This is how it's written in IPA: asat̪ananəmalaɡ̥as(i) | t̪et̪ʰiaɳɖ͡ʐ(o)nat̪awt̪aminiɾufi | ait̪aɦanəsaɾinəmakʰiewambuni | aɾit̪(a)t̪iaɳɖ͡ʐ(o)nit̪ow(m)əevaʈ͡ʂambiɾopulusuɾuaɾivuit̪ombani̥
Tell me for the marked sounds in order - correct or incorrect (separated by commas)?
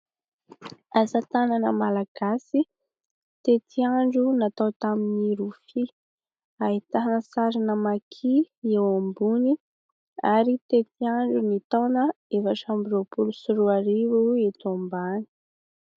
correct, incorrect, incorrect, incorrect, incorrect